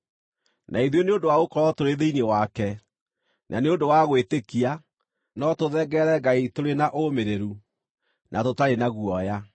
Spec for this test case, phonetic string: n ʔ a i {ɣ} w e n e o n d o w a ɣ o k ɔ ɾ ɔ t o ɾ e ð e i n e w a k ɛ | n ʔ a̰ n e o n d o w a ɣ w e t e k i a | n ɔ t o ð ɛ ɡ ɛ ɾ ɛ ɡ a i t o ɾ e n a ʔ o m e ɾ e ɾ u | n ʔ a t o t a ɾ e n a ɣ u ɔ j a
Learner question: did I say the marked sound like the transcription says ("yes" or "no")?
no